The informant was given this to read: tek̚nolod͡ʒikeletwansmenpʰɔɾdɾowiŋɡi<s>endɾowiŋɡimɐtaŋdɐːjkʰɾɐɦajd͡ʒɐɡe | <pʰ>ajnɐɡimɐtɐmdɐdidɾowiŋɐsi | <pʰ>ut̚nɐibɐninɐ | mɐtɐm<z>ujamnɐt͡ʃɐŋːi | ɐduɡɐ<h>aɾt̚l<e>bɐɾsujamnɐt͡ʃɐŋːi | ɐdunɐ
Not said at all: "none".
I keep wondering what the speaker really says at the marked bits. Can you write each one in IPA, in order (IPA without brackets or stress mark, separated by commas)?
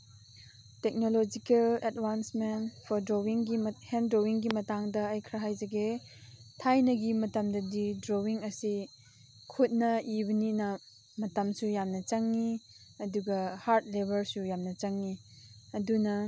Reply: h, tʰ, kʰ, s, h, e